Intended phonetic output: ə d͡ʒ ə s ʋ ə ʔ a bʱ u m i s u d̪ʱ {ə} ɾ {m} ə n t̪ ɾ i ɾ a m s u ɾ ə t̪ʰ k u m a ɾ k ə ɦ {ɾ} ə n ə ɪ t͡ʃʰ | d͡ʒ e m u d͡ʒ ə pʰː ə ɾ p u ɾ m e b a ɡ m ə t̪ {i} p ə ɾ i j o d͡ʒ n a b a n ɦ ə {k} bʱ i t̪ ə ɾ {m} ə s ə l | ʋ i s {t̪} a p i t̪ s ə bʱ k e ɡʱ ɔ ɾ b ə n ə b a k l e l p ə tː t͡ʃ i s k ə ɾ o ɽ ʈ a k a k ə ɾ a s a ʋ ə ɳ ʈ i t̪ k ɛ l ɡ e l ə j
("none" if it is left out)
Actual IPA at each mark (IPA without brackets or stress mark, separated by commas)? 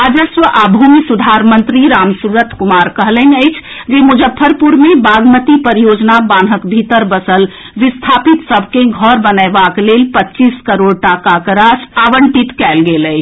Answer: a, m, l, i, k, b, t̪ʰ